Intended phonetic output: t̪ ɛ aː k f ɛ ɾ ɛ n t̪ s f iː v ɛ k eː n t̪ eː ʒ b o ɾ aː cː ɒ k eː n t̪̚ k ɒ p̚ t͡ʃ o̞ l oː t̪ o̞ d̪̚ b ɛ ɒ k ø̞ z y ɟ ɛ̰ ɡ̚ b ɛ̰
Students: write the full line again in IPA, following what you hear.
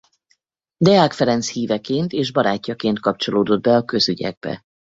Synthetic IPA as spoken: d̪ ɛ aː k f ɛ ɾ ɛ n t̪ s h iː v ɛ k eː n t̪ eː ʒ b ɒ ɾ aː cː ɒ k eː n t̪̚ k ɒ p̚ t͡ʃ o̞ l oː d̪ o̞ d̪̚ b ɛ ɒ k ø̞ z y ɟ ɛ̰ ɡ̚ b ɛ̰